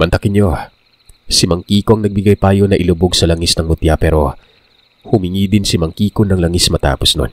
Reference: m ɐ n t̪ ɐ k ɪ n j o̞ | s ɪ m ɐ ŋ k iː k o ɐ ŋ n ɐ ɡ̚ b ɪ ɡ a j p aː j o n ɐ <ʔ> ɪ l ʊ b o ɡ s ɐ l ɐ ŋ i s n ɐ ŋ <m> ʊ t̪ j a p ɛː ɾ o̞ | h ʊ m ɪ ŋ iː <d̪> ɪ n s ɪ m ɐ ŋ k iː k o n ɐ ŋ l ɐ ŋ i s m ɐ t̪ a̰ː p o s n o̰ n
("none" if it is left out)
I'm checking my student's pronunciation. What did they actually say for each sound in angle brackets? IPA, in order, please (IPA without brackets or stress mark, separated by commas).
ʔ, m, d̪